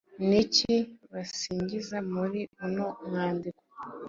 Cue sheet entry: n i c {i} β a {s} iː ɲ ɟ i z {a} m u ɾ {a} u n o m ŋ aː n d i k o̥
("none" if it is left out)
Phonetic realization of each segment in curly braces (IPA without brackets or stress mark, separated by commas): i, s, a, i